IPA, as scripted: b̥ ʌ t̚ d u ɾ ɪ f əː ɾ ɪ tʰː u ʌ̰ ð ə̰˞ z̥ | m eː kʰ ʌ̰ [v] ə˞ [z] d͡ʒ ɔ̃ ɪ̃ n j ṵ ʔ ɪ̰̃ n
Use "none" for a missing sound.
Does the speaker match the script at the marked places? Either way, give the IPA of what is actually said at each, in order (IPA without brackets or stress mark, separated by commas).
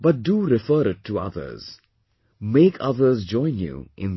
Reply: ð, z